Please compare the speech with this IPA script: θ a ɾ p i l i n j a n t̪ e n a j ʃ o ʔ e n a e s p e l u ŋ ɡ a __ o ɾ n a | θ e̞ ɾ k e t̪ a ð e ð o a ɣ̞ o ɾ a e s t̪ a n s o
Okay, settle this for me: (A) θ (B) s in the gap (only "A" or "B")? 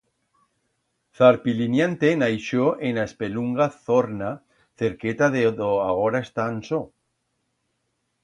A